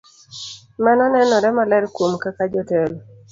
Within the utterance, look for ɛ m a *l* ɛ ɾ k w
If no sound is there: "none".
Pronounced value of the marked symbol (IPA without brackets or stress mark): l